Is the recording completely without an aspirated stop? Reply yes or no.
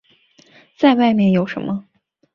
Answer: yes